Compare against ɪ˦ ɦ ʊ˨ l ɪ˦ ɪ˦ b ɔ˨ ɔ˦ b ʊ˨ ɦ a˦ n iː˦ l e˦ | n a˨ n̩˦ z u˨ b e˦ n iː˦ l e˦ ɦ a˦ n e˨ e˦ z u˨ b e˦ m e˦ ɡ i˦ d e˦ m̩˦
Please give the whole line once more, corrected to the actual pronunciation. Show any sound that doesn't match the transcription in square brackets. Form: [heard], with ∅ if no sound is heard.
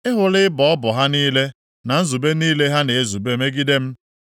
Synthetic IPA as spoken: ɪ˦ ɦ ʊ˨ l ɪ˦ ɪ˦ b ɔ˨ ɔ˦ b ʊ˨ ɦ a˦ n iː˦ l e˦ | n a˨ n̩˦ z u˨ b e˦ n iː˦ l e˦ ɦ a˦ n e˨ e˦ z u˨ b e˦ m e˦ ɡ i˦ d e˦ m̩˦